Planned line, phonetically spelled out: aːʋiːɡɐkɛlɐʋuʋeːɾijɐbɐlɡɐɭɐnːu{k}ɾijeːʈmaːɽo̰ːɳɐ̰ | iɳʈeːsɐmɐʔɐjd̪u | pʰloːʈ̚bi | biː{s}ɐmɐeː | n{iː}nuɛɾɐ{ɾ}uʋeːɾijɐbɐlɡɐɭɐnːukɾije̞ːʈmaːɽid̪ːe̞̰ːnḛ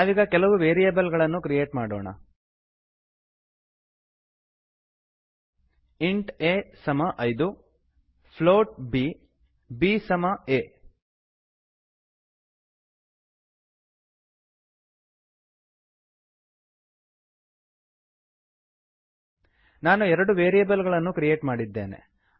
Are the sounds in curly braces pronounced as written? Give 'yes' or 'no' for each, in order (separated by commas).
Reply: yes, yes, no, no